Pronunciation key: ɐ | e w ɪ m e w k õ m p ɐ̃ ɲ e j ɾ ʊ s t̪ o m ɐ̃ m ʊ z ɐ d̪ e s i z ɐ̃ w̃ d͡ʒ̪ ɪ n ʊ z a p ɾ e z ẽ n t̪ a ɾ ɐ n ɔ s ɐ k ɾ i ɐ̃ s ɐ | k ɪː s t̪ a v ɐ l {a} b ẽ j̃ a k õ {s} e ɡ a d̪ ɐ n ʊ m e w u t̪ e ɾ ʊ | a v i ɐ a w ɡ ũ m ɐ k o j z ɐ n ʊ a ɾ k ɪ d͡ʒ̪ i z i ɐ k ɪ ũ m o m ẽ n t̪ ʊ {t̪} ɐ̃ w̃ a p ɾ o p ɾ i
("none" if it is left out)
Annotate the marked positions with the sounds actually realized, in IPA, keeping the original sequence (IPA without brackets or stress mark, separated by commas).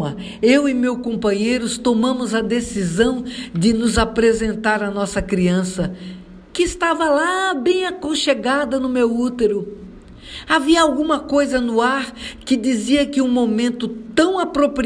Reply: a, ʃ, t̪